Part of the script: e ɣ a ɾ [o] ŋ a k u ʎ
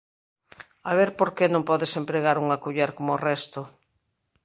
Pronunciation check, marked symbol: incorrect: u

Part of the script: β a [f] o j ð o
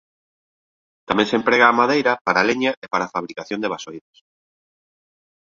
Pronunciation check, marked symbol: incorrect: s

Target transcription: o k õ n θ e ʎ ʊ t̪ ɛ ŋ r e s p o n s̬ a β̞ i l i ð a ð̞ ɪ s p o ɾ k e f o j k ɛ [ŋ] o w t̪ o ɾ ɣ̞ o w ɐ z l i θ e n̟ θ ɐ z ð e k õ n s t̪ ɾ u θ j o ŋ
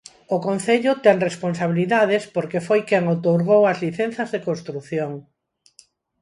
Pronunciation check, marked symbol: correct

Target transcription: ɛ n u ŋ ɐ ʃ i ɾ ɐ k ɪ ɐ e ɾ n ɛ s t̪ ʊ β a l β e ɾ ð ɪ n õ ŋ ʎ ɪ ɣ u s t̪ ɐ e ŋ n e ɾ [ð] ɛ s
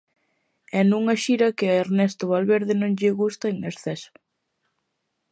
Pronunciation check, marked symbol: incorrect: θ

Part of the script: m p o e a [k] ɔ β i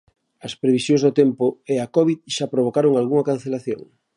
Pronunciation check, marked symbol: correct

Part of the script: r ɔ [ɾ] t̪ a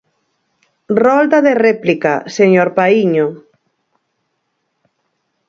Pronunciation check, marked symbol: incorrect: l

